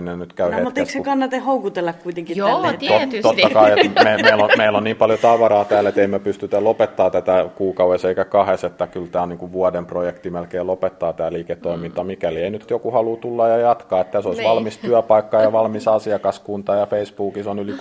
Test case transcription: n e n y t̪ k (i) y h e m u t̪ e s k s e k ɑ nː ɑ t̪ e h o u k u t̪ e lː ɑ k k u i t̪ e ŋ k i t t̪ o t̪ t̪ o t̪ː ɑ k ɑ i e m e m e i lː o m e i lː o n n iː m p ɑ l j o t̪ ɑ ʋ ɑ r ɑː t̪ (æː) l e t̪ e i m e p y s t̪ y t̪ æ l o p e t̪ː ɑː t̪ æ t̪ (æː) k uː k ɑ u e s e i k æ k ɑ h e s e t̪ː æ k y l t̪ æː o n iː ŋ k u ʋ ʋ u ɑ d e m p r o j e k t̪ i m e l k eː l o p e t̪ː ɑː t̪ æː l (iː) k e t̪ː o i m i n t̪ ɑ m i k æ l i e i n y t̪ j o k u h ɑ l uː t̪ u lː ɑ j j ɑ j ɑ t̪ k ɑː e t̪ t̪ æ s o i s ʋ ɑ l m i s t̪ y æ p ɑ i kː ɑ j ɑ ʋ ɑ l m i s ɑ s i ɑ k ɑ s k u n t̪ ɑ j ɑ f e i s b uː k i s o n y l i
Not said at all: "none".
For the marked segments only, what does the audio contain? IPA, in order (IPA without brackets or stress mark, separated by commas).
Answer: æ, æː, æ, iː